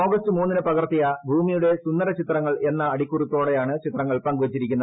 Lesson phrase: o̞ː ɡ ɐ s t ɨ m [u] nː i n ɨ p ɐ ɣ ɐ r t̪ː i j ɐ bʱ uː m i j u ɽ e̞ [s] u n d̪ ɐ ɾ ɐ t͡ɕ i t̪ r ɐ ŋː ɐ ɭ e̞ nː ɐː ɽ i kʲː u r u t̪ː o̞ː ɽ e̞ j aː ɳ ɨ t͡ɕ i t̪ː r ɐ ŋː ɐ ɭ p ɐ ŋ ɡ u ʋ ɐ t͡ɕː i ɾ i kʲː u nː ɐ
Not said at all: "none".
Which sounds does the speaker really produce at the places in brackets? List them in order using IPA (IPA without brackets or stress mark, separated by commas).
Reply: uː, s